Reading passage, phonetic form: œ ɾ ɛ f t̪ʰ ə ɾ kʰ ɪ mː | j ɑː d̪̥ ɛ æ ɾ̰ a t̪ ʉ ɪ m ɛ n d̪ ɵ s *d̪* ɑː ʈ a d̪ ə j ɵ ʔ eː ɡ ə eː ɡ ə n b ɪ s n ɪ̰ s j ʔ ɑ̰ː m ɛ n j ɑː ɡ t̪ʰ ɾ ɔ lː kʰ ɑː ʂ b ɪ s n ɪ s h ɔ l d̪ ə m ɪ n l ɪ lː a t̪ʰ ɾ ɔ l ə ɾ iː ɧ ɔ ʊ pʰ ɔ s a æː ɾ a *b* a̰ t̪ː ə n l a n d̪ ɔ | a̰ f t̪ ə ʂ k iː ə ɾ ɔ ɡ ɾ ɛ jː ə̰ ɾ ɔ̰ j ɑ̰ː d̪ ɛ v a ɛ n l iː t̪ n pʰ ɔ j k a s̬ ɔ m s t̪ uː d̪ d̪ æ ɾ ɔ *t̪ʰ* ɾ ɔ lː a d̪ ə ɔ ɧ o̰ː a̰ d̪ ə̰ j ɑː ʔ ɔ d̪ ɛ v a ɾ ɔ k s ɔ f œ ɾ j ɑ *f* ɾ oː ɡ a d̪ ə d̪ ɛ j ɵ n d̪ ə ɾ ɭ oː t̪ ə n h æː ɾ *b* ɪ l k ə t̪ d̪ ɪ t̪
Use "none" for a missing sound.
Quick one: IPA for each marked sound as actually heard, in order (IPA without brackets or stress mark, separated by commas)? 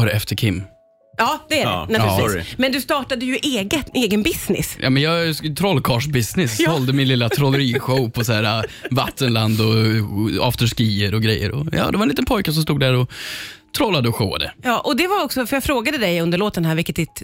t̪, v, t̪ʰ, f, v